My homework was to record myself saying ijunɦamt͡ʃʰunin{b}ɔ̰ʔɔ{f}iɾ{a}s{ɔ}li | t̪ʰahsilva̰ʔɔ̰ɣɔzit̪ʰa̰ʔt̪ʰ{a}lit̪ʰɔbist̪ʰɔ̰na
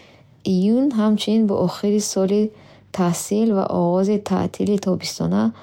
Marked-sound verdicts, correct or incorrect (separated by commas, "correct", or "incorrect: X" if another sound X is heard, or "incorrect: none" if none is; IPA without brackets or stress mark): correct, incorrect: χ, incorrect: i, correct, incorrect: i